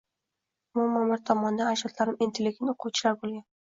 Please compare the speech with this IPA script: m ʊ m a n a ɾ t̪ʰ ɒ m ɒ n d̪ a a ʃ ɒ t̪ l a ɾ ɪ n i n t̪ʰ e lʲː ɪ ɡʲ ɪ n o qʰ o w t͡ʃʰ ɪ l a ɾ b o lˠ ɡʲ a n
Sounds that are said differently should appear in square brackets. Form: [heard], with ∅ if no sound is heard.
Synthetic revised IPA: m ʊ m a [m] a ɾ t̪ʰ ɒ m ɒ n d̪ a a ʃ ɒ t̪ l a ɾ ɪ [m] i n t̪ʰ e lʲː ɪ ɡʲ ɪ n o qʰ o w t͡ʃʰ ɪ l a ɾ b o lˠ ɡʲ a n